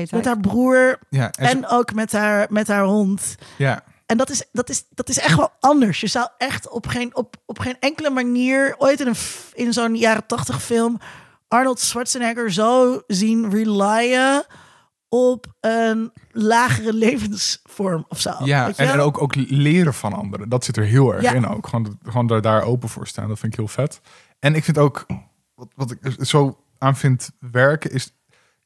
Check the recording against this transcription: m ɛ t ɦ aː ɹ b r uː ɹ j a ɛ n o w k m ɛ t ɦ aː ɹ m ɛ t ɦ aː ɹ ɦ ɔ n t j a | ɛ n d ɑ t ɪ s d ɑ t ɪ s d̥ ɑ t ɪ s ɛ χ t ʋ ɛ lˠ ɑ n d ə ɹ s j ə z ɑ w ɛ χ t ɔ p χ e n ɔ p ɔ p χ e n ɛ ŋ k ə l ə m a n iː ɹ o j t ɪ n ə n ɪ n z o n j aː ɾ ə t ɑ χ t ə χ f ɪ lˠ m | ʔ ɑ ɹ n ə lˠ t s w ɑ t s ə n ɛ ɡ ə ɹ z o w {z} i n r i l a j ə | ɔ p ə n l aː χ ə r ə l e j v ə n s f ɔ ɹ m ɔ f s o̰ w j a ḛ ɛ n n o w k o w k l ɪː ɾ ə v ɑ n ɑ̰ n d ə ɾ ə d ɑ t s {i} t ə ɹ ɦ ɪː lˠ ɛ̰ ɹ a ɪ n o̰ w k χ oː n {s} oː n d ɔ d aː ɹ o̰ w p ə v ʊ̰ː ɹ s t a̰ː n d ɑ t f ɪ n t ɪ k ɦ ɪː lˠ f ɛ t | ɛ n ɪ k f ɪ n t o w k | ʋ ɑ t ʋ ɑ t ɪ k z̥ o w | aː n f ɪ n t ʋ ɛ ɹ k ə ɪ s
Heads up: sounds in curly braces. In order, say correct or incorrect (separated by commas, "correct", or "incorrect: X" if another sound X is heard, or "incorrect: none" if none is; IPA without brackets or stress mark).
correct, incorrect: ɪ, incorrect: χ